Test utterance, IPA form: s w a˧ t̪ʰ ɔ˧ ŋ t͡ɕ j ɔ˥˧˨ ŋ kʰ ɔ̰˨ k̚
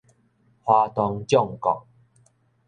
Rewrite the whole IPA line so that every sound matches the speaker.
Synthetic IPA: h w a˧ t̪ ɔ˧ ŋ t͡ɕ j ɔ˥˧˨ ŋ k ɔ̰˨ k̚